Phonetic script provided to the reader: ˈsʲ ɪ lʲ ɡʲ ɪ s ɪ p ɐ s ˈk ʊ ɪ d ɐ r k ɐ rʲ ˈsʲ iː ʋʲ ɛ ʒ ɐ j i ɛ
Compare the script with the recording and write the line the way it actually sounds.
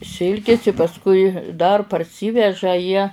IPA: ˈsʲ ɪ lʲ kʲ ɪ s ɪ p ɐ s ˈk ʊ ɪ d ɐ r p ɐ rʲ ˈsʲ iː ʋʲ ɛ ʒ ɐ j i ɛ